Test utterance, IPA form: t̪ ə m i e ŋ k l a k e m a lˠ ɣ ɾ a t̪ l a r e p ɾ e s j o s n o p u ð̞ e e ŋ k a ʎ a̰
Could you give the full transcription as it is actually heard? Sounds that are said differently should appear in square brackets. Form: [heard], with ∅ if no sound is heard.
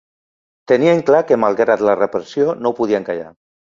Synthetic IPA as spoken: t̪ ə [n] i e ŋ k l a k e m a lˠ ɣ ɾ a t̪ l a r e p ɾ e s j o [∅] n o p u ð̞ [i] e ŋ k a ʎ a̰